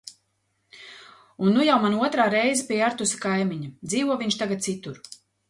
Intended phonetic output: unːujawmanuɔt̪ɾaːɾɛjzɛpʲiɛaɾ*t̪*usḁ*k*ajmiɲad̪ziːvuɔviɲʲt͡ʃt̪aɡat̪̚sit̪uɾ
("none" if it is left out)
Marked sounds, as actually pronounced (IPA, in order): t̪, k

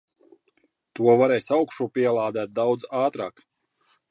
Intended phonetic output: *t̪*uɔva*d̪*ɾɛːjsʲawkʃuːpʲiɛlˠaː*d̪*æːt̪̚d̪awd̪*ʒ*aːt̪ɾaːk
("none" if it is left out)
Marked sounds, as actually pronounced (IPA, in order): t̪, none, d̪, z

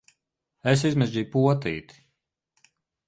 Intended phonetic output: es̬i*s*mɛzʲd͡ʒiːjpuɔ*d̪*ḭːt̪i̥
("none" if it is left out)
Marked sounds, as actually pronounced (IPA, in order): z, t̪

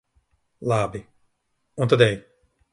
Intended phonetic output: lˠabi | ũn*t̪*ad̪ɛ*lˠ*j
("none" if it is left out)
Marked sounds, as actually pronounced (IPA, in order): t̪, none

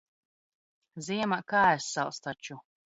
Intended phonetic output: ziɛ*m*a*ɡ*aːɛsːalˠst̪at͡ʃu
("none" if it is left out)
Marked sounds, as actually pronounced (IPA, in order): m, k

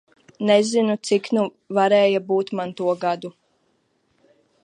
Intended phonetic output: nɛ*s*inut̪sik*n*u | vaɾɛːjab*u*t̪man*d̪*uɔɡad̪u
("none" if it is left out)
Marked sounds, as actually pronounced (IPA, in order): z, n, uː, t̪

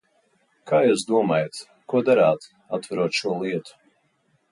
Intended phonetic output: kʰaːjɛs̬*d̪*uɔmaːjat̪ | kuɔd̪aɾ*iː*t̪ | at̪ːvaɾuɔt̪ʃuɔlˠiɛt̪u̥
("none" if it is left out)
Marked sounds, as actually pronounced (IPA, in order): d̪, aː

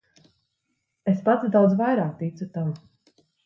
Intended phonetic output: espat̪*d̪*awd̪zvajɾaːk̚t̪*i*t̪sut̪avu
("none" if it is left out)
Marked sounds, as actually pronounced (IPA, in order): d̪, i

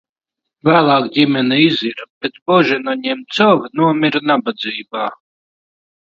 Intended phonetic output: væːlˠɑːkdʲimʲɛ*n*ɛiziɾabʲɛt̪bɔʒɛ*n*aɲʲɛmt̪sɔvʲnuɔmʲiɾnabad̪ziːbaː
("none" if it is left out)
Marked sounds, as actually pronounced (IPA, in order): n, n

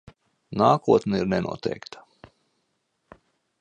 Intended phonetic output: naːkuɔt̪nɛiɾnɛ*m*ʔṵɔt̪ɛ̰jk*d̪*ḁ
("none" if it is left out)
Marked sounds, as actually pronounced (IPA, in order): n, t̪

